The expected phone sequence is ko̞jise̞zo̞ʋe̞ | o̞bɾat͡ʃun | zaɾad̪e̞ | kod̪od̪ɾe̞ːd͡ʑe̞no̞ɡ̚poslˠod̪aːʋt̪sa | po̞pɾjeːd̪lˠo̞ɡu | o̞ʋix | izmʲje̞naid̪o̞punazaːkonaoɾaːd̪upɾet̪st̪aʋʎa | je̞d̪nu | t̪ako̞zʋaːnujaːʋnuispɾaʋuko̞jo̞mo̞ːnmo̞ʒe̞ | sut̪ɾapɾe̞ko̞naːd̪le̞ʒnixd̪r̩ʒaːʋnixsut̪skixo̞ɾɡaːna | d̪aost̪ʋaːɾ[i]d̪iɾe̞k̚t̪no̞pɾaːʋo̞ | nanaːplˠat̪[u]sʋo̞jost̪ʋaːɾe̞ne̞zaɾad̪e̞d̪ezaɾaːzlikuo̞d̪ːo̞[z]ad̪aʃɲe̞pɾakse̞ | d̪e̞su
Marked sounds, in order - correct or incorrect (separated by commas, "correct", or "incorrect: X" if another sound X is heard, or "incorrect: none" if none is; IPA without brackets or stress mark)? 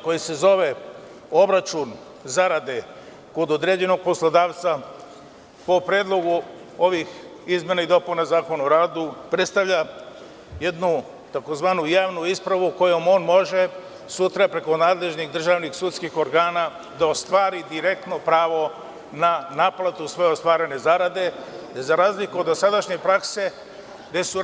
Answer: correct, correct, incorrect: s